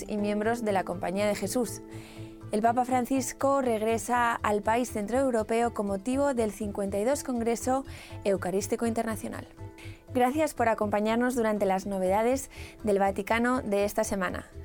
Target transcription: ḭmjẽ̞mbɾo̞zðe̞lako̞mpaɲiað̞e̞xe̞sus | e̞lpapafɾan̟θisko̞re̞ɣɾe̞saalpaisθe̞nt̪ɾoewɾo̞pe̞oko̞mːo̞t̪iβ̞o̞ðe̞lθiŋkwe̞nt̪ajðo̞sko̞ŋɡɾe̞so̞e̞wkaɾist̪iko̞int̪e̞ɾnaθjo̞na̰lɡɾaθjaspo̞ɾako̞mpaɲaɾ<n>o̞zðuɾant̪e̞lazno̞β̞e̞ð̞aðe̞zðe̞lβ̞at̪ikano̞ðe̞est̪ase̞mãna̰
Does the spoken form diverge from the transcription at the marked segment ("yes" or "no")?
no